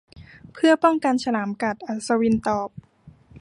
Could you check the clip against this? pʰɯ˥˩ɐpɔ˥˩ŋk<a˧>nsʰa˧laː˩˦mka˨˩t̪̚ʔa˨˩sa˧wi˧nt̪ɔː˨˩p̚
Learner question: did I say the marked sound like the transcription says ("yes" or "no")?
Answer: yes